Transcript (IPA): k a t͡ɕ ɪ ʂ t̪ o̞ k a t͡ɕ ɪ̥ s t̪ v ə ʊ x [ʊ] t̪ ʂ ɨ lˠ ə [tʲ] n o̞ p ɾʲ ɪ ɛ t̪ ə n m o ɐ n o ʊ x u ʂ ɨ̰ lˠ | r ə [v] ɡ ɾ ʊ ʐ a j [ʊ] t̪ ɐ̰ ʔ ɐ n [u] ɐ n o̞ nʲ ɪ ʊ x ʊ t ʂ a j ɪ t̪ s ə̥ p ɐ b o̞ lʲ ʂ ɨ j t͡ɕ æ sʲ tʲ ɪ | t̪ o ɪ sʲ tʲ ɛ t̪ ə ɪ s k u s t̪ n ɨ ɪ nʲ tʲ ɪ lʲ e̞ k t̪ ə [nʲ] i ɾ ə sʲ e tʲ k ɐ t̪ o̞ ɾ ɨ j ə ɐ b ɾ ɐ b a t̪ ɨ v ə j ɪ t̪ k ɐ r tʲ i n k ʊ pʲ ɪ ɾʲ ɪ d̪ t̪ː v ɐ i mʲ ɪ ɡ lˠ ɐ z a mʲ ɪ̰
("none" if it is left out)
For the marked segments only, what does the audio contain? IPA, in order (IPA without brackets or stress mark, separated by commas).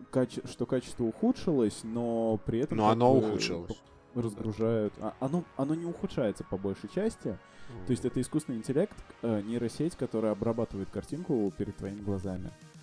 u, sʲ, z, ʊ, o, nʲ